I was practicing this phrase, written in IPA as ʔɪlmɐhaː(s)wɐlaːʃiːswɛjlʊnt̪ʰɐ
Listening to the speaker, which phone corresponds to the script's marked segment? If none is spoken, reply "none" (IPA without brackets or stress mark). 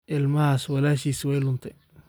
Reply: s